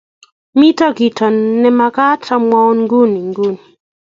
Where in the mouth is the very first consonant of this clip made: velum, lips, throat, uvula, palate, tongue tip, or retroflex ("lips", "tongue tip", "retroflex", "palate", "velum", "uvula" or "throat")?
lips